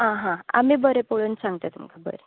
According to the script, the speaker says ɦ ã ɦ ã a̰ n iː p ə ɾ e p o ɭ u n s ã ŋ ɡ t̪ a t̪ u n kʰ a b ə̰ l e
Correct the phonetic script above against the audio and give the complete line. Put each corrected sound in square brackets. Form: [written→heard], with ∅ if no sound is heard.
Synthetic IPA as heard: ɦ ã ɦ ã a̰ [n→m] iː [p→b] ə ɾ e p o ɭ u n s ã ŋ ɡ t̪ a t̪ u [n→m] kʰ a b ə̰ [l→ɾ] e